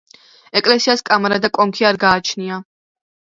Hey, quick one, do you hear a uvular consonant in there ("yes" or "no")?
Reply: no